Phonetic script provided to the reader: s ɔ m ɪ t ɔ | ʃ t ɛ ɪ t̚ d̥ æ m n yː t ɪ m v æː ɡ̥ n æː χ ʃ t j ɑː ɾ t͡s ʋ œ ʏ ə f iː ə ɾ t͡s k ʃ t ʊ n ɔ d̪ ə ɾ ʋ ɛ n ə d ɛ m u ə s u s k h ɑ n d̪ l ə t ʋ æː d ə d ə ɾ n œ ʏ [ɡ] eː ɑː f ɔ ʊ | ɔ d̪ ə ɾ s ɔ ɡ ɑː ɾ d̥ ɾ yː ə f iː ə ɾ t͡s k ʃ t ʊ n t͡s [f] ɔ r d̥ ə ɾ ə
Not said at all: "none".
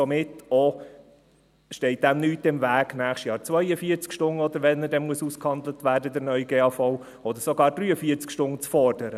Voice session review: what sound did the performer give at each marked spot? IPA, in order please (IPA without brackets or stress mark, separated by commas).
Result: ɡ, f